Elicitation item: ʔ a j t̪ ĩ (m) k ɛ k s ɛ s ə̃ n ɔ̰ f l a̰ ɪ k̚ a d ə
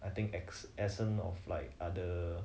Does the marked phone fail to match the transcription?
yes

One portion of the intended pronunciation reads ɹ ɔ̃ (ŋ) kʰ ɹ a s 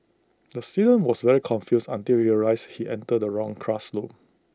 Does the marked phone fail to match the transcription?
no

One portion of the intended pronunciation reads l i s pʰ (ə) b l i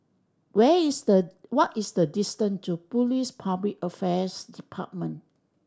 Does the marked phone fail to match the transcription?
yes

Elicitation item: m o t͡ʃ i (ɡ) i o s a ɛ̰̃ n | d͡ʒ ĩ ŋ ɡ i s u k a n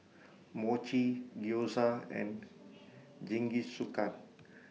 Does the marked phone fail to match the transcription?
no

